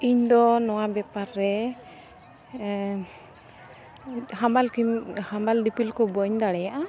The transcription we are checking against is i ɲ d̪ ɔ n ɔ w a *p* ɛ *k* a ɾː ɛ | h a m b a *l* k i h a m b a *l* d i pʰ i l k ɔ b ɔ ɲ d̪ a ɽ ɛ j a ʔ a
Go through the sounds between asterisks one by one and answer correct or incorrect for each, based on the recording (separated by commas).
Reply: incorrect, incorrect, correct, correct